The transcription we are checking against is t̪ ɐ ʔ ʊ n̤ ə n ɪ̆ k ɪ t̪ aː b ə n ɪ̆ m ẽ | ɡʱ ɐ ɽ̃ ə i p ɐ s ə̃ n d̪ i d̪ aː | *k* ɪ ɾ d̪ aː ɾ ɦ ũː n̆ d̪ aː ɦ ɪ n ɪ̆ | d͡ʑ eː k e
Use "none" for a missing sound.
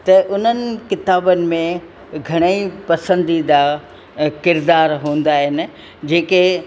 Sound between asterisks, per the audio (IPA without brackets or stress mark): k